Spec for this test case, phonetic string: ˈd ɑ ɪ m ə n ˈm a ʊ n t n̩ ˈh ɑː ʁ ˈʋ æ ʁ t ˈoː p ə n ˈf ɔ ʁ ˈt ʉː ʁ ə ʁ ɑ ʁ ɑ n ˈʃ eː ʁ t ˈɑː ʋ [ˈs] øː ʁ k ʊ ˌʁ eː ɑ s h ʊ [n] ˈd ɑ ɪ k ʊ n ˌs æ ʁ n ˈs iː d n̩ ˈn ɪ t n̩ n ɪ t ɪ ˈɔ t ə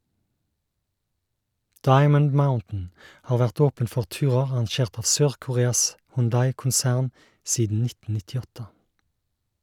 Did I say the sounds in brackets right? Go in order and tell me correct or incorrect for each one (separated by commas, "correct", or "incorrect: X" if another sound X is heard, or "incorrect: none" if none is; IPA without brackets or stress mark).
correct, correct